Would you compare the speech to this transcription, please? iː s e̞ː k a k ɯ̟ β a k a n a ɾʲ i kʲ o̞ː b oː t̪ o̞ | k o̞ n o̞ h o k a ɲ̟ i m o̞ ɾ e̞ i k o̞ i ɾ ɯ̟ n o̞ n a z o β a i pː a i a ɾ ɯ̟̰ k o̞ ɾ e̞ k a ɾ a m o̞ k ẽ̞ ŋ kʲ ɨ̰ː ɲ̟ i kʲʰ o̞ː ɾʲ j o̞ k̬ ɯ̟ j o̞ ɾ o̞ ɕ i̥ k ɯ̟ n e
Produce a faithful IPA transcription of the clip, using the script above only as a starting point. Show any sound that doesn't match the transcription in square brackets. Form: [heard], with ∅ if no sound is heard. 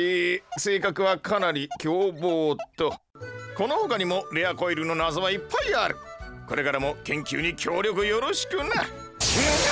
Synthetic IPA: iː s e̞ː k a k ɯ̟ β a k a n a ɾʲ i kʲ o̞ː b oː t̪ o̞ | k o̞ n o̞ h o k a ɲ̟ i m o̞ ɾ e̞ [a] k o̞ i ɾ ɯ̟ n o̞ n a z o β a i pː a i a ɾ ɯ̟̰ k o̞ ɾ e̞ k a ɾ a m o̞ k ẽ̞ ŋ kʲ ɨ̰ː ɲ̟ i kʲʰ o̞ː ɾʲ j o̞ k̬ ɯ̟ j o̞ ɾ o̞ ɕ i̥ k ɯ̟ n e